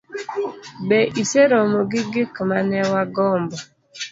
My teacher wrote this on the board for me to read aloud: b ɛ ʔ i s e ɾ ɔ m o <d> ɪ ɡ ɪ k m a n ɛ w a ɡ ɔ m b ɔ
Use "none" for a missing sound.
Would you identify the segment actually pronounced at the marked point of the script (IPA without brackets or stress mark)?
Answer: ɡ